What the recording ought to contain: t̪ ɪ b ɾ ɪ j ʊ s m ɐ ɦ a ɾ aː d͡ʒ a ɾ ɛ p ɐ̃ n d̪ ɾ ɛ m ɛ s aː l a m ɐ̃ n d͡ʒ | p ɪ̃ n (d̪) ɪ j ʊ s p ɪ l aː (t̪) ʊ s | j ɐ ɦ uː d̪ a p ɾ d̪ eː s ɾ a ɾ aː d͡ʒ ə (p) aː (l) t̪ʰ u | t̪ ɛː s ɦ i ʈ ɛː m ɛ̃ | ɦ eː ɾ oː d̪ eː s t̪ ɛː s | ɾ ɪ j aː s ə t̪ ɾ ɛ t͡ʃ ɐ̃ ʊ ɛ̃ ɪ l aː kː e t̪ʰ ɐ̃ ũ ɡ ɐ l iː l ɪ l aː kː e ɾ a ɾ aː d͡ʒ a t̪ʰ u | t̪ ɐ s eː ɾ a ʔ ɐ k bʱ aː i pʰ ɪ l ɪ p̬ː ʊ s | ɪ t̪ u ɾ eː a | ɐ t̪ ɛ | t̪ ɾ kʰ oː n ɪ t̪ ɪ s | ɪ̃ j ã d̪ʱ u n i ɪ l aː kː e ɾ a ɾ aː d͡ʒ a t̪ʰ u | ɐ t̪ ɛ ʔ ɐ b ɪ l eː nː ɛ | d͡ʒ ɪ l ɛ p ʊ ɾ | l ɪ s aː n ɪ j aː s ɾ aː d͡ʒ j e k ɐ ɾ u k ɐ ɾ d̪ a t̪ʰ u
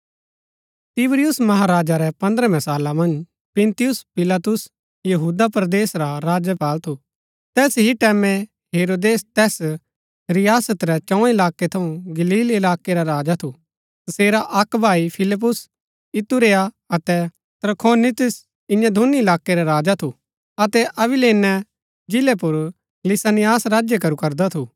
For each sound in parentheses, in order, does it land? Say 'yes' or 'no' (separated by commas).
no, yes, yes, yes